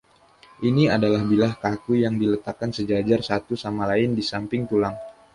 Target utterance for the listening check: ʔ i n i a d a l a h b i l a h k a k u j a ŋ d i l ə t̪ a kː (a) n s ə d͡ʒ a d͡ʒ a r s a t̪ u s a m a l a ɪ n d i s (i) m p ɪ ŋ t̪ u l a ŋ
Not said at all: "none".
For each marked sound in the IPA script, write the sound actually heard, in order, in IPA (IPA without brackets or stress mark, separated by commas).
a, a